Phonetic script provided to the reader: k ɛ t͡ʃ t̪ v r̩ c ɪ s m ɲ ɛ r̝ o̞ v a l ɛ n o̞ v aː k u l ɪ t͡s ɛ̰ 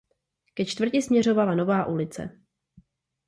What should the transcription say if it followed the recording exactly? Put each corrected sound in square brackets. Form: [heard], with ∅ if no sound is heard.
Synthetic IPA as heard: k ɛ t͡ʃ t̪ v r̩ c ɪ s m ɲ ɛ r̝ o̞ v a l [a] n o̞ v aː [ʔ] u l ɪ t͡s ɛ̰